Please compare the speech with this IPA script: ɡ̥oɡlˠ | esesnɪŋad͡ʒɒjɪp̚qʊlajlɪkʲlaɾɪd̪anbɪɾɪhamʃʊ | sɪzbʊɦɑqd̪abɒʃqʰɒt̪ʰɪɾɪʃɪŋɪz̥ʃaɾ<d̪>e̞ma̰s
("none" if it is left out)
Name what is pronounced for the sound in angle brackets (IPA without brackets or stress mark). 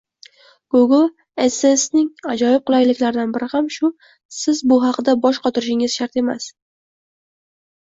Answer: t̪